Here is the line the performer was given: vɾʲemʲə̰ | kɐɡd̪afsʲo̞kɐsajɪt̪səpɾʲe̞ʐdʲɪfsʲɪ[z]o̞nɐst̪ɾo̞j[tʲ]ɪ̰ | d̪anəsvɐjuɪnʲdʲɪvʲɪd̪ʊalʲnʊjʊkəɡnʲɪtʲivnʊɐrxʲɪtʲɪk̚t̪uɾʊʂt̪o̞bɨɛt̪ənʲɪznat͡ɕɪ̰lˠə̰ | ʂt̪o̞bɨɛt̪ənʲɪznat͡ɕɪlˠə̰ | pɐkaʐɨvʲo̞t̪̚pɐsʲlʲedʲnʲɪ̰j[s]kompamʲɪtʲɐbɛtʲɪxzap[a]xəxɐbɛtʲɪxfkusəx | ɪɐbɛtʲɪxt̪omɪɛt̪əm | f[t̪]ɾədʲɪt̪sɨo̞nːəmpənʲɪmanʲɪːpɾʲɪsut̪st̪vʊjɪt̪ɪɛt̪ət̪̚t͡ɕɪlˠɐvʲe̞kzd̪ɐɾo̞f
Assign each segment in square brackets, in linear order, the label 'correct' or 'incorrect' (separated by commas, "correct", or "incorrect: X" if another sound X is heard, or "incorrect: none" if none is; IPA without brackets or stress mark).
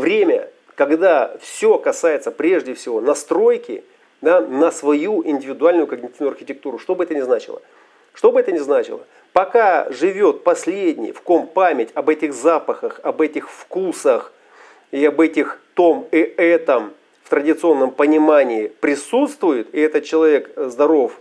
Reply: incorrect: v, incorrect: kʲ, incorrect: f, incorrect: ə, correct